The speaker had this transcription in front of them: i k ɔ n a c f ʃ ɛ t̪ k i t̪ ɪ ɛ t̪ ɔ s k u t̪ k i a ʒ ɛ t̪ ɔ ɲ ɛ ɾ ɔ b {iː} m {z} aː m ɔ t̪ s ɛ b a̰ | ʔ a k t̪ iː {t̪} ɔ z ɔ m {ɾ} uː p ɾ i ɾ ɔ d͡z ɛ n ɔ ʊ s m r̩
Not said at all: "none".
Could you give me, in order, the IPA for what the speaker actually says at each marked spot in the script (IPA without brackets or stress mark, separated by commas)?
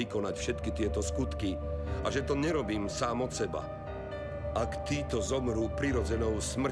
iː, s, t̪, ɾ